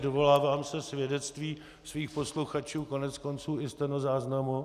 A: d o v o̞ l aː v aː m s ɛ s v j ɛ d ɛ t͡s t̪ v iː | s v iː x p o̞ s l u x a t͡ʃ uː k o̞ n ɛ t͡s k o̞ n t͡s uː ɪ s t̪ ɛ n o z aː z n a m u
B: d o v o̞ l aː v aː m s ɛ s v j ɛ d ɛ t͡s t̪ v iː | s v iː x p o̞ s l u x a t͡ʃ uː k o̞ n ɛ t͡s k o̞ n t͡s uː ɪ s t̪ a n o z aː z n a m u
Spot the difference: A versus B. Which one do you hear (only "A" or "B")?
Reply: A